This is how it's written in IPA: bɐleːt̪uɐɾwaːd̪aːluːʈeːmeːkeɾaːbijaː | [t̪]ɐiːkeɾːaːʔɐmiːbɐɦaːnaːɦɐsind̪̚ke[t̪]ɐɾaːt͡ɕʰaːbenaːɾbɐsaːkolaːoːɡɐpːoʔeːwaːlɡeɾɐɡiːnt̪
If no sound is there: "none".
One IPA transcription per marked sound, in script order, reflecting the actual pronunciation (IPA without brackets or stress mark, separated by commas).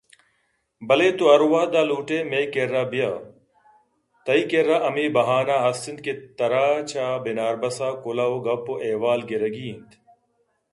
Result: t̪, t̪